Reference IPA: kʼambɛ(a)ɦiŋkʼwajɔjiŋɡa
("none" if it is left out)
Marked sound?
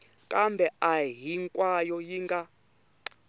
a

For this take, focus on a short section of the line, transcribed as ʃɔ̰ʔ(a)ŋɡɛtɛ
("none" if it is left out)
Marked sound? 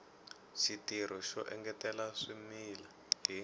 ɛ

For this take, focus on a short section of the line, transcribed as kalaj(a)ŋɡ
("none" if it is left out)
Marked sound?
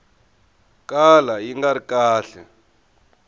i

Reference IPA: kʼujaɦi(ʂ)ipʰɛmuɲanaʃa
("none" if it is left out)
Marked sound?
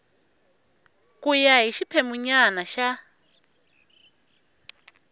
ʃ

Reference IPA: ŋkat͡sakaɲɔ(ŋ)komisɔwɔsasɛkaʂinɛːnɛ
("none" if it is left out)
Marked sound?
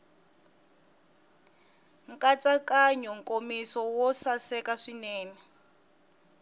ŋ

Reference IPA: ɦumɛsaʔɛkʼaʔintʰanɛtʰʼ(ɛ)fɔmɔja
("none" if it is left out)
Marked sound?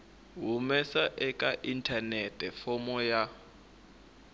ɛ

